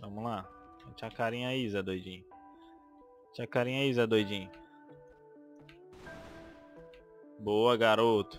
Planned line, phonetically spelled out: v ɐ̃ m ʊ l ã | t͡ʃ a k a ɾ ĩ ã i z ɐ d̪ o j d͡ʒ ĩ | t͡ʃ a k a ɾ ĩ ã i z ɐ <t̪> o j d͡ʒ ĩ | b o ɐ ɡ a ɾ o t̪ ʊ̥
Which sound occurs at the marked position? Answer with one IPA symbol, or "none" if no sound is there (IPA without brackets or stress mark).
d̪